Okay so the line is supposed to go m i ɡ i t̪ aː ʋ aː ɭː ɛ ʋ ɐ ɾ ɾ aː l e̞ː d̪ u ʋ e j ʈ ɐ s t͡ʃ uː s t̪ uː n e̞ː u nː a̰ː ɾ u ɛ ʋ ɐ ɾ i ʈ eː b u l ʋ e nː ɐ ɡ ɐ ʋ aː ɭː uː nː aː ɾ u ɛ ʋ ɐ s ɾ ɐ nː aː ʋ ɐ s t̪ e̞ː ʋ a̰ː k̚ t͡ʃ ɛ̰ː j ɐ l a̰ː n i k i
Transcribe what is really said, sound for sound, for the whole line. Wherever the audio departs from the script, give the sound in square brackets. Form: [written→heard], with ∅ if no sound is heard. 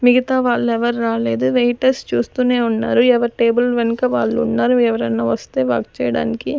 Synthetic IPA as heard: m i ɡ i t̪ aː ʋ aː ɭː ɛ ʋ ɐ ɾ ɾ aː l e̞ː d̪ u ʋ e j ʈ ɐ s t͡ʃ uː s t̪ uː n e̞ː u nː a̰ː ɾ u ɛ ʋ ɐ ɾ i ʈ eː b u l ʋ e [nː→n] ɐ [ɡ→k] ɐ ʋ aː ɭː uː nː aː ɾ u ɛ ʋ ɐ [s→∅] ɾ ɐ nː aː ʋ ɐ s t̪ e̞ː ʋ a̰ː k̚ t͡ʃ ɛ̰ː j ɐ [l→ɽ] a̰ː n i k i